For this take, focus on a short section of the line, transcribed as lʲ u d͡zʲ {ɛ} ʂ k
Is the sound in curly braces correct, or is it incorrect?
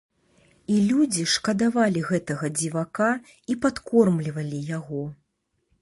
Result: incorrect